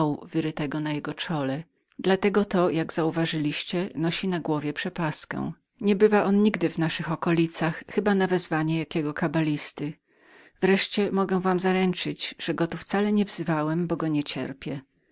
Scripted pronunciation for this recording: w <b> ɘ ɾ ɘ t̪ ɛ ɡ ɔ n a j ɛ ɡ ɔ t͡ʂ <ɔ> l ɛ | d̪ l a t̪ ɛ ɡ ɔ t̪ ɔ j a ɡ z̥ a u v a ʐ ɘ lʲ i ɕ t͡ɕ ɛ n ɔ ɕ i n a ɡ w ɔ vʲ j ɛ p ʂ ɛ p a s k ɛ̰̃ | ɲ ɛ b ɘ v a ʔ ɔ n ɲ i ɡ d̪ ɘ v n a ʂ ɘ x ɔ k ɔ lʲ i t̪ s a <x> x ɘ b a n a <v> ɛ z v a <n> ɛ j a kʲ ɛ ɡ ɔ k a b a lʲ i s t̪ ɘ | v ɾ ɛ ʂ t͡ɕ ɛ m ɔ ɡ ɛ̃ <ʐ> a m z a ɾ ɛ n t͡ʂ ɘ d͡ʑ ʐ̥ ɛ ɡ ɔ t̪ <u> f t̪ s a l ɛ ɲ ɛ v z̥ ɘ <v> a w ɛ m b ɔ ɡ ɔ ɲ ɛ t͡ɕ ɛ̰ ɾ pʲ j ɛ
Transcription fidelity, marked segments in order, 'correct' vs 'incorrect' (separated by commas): incorrect, correct, correct, correct, incorrect, incorrect, correct, correct